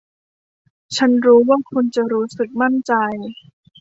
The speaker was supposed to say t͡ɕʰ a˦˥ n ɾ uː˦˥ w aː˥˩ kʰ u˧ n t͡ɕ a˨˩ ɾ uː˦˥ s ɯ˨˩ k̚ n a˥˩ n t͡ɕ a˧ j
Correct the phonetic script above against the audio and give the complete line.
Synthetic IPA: t͡ɕʰ a˦˥ n ɾ uː˦˥ w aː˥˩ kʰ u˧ n t͡ɕ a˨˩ ɾ uː˦˥ s ɯ˨˩ k̚ m a˥˩ n t͡ɕ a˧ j